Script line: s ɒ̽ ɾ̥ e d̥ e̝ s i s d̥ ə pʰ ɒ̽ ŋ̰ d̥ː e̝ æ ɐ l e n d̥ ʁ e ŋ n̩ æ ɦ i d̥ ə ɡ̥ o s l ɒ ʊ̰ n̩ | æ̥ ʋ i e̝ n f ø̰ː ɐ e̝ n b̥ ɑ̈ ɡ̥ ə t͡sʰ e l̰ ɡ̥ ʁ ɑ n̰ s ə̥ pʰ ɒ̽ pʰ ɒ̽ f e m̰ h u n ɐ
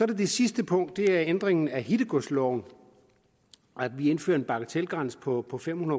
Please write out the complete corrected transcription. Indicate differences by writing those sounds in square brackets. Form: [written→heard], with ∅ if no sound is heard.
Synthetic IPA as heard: s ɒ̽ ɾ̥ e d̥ e̝ s i s d̥ ə pʰ [ɒ̽→ɔ̽] ŋ̰ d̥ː e̝ æ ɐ [l→∅] e n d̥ ʁ e ŋ n̩ æ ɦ i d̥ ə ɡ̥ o s l ɒ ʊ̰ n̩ | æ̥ ʋ i e̝ n f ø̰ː ɐ e̝ n b̥ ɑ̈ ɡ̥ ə t͡sʰ e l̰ ɡ̥ ʁ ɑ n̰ s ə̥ pʰ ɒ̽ pʰ ɒ̽ f e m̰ h u n ɐ